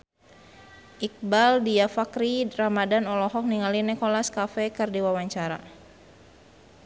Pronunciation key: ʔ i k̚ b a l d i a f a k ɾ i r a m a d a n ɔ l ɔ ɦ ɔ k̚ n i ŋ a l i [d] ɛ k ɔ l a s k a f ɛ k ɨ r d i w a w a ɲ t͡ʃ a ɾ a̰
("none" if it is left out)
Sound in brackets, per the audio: n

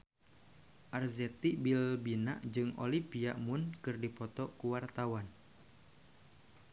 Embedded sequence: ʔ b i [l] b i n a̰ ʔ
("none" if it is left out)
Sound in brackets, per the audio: l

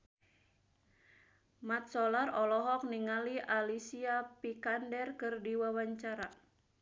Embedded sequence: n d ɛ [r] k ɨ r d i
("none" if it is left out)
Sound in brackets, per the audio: r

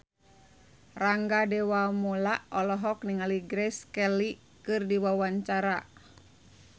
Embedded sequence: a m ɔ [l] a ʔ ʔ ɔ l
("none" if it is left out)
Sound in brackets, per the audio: l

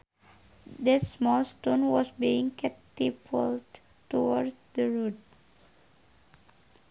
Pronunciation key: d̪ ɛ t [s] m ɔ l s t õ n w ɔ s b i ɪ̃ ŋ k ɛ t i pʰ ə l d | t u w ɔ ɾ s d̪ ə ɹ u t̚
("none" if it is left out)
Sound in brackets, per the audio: s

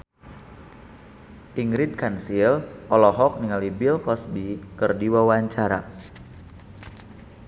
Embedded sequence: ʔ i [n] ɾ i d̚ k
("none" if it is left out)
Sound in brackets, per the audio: ŋ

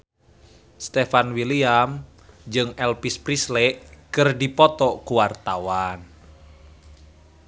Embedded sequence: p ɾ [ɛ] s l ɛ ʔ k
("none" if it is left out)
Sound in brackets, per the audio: i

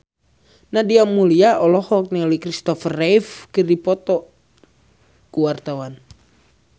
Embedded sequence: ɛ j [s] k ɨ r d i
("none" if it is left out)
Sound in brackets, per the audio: f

